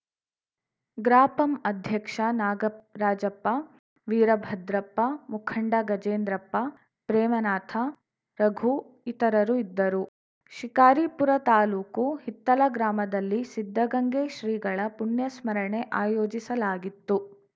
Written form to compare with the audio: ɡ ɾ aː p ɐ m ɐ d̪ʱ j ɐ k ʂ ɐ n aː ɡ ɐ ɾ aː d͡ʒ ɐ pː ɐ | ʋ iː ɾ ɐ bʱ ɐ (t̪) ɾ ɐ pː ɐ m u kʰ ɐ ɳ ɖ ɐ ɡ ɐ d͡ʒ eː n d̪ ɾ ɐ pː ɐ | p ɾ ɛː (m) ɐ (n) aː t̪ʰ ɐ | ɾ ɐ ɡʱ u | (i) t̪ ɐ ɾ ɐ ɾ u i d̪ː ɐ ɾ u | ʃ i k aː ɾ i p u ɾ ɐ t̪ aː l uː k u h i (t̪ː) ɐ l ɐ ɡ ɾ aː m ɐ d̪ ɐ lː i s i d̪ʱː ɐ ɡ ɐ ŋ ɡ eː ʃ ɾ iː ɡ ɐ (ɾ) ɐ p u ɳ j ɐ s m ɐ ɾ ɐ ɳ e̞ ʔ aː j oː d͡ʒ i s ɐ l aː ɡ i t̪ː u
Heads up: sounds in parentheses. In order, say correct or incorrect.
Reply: incorrect, correct, correct, correct, correct, incorrect

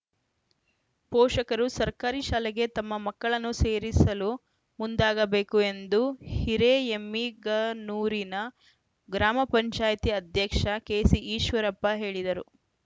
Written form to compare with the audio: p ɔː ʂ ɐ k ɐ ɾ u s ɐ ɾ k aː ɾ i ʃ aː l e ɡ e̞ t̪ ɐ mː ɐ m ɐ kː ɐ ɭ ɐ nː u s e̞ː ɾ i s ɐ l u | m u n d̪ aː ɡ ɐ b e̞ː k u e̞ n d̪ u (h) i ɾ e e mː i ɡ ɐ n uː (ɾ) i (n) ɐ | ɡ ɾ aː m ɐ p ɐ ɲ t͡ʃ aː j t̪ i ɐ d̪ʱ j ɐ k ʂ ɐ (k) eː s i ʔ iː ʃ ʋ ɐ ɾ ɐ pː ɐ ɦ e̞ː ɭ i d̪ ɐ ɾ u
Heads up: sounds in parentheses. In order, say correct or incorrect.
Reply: correct, correct, correct, correct

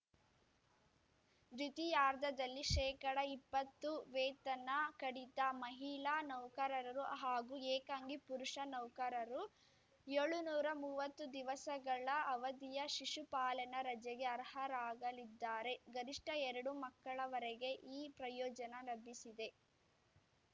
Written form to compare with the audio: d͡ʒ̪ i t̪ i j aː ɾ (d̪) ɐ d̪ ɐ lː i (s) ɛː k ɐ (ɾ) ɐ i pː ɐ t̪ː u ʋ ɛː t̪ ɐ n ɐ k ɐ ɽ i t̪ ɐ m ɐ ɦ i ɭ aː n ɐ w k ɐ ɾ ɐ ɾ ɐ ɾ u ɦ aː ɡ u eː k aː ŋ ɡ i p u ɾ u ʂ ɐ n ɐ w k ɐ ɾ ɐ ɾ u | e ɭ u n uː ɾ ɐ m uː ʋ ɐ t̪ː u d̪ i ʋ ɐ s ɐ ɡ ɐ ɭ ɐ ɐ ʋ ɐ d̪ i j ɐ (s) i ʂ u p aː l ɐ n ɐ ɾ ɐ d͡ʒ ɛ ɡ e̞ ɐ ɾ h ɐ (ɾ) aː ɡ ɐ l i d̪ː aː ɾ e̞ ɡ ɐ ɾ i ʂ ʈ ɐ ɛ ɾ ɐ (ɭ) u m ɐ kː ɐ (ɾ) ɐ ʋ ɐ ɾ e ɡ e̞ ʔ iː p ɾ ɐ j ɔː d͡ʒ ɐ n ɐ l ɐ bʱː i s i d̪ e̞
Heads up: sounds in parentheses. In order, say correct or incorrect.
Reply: correct, incorrect, incorrect, incorrect, correct, incorrect, incorrect

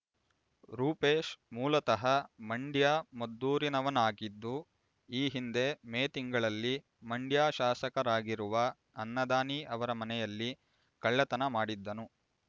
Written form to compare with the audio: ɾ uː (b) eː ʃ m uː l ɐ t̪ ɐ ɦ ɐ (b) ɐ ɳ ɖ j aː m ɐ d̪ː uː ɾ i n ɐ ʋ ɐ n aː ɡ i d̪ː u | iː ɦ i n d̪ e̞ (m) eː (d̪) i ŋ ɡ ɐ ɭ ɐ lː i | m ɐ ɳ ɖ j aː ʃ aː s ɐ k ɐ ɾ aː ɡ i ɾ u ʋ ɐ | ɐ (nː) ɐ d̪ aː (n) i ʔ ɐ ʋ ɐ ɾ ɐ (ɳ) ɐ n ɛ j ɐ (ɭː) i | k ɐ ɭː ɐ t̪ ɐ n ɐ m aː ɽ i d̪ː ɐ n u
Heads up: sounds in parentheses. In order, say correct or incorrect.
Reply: incorrect, incorrect, correct, incorrect, correct, correct, incorrect, incorrect

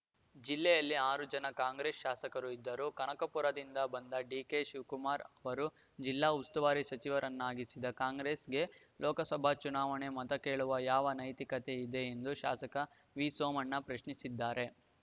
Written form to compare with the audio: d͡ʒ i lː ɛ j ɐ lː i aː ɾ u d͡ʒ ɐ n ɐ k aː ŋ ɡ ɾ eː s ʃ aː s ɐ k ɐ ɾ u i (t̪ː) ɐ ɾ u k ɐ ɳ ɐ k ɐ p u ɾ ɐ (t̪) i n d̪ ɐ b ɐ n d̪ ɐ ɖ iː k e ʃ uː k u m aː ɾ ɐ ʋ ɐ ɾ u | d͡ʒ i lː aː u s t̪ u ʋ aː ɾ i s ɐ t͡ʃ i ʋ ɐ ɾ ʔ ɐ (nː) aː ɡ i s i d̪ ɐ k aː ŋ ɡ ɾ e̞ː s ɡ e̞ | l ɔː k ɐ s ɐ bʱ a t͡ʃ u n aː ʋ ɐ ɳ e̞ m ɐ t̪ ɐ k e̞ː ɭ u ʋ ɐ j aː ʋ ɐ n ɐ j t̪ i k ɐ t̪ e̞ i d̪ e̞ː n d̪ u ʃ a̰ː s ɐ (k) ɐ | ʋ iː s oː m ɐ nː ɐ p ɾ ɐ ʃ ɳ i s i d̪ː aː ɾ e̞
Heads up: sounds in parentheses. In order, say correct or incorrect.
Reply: incorrect, incorrect, correct, correct

